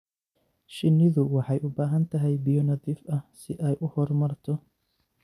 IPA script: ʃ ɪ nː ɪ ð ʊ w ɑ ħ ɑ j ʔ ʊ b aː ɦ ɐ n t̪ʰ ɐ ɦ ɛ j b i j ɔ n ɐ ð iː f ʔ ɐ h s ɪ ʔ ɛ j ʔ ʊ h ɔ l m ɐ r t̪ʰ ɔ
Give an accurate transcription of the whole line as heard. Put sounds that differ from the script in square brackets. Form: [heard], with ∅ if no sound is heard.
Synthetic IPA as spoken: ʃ ɪ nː ɪ ð ʊ w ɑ ħ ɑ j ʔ ʊ b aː ɦ ɐ n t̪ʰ ɐ ɦ ɛ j b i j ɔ n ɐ ð iː f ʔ ɐ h s ɪ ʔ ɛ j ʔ ʊ h ɔ [r] m ɐ r t̪ʰ ɔ